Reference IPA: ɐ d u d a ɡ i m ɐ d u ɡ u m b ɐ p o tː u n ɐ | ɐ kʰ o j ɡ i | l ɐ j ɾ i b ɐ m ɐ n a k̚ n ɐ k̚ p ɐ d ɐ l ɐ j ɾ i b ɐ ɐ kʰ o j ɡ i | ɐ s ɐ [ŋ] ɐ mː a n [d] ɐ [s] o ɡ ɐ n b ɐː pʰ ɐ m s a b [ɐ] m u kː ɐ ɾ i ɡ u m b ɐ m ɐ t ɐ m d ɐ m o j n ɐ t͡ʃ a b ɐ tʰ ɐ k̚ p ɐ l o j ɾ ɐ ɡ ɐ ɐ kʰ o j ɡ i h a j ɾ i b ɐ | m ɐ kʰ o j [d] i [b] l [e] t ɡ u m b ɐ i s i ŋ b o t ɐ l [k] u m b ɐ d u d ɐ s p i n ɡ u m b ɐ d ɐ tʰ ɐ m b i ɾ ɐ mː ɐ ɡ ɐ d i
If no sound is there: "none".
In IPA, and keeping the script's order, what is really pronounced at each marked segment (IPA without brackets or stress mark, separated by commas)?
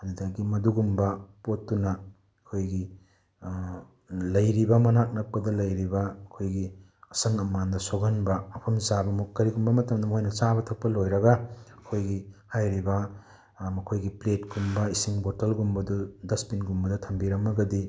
ŋ, d, s, ɐ, ɡ, p, e, ɡ